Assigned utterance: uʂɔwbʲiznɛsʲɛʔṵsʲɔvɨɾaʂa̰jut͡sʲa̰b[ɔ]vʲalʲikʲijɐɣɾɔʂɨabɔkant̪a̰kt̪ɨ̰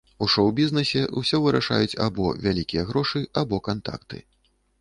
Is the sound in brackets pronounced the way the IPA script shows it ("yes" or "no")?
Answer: yes